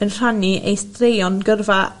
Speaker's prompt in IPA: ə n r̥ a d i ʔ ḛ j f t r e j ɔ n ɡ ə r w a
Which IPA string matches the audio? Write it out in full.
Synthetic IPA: ə n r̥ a n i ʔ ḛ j s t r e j ɔ n ɡ ə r v a